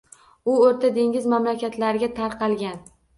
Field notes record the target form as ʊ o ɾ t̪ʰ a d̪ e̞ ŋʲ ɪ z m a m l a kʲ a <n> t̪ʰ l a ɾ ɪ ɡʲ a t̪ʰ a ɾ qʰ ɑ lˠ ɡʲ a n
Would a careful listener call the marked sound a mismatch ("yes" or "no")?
yes